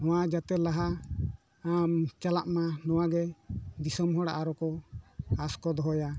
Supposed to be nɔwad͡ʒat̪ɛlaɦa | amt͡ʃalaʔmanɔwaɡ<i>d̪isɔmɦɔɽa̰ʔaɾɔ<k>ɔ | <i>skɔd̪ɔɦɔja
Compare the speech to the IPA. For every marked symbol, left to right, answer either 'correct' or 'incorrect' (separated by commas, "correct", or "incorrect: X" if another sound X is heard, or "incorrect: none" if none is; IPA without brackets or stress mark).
incorrect: ɛ, correct, incorrect: a